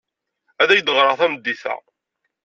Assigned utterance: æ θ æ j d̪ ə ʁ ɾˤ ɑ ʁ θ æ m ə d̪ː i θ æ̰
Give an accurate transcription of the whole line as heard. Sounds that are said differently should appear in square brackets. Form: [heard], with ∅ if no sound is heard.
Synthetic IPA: æ [ð] æ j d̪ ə ʁ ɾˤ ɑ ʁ θ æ m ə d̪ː i θ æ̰